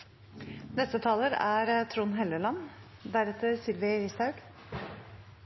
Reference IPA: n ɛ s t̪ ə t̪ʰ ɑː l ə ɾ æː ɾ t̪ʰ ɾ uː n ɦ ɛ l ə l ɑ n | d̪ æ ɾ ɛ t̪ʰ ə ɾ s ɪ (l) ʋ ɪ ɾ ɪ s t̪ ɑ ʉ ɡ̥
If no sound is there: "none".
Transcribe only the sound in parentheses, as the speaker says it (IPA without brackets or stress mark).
l